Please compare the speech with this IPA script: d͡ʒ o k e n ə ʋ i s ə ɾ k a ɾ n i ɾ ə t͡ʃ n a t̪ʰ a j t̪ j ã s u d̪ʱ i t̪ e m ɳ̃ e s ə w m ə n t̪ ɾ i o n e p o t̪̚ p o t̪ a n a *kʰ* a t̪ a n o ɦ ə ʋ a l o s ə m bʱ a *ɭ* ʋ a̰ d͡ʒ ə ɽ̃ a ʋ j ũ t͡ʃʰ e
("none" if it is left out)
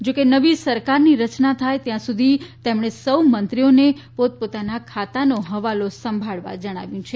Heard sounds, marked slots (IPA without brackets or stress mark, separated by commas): kʰ, ɭ